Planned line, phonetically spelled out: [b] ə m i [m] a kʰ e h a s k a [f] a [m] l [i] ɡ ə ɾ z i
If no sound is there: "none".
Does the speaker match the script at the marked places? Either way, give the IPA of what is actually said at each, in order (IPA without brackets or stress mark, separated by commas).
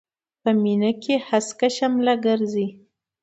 p, n, ʃ, m, a